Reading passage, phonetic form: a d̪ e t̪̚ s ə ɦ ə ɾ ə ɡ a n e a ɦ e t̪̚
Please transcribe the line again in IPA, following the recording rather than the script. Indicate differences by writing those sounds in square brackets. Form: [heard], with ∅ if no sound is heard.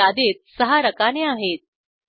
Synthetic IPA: a d̪ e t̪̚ s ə ɦ [a] ɾ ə [k] a n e a ɦ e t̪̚